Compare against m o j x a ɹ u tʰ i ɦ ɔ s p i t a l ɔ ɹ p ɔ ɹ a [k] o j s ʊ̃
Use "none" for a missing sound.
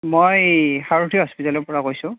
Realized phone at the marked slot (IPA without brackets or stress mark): k